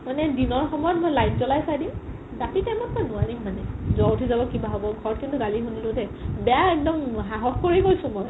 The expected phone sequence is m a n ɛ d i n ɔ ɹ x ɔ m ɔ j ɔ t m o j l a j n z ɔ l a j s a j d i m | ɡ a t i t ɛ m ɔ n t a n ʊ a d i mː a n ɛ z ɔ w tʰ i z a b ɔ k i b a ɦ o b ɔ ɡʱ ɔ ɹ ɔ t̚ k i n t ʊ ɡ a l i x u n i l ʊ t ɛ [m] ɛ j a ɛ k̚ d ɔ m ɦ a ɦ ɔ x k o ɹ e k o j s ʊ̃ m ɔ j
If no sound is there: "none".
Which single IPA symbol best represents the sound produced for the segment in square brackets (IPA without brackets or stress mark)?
b